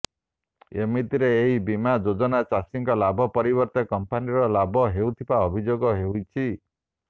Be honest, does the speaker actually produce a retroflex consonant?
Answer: no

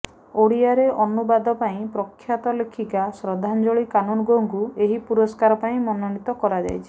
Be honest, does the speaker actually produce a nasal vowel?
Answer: yes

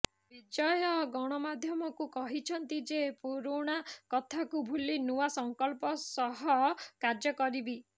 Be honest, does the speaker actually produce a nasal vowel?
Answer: no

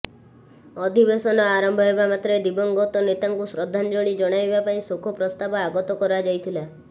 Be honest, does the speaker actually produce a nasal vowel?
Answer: yes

